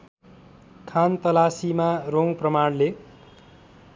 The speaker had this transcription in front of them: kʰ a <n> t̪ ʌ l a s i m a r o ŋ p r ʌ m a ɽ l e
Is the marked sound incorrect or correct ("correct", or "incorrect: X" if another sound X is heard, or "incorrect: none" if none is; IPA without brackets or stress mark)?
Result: correct